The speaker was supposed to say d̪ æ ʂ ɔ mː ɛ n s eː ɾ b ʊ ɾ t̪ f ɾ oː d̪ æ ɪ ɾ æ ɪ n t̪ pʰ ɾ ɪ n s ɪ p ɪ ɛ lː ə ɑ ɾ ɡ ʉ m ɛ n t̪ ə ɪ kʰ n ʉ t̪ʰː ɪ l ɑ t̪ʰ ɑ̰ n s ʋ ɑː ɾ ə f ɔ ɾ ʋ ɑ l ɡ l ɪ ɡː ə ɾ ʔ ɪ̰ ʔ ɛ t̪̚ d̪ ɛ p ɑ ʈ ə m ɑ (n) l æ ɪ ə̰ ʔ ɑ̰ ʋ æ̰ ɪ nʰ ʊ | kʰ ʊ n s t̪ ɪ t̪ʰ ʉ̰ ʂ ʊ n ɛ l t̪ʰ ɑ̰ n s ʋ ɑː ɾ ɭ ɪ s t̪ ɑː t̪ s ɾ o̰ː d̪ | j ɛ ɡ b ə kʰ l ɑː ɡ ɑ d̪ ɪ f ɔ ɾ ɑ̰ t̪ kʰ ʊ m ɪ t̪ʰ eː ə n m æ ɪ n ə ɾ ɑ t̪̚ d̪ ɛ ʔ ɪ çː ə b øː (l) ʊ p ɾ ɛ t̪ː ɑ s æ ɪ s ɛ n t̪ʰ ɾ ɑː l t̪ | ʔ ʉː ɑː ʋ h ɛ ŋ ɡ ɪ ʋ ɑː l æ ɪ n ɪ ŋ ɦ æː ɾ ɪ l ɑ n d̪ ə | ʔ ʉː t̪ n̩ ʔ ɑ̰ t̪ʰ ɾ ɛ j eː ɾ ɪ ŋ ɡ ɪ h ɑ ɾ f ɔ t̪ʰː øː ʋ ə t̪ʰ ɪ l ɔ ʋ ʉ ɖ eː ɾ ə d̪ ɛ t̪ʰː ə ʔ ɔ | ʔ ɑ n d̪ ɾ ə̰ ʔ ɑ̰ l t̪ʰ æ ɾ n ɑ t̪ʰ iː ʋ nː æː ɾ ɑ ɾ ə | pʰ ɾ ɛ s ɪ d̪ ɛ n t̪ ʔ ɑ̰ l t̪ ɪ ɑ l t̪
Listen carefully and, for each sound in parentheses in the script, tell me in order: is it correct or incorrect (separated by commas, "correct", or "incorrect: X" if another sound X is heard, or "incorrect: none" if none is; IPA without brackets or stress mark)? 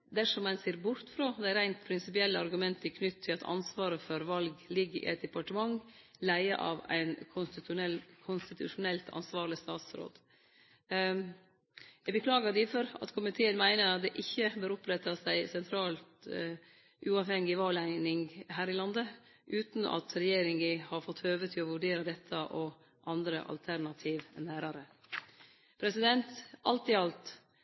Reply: incorrect: ŋ, incorrect: ɾ